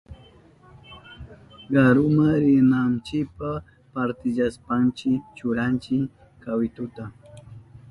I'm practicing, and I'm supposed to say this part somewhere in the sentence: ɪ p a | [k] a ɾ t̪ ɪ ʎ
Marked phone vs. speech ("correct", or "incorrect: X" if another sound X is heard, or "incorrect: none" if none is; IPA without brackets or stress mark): incorrect: p